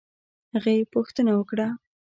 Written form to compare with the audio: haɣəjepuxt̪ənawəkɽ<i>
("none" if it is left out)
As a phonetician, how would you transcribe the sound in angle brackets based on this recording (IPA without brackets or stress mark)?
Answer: a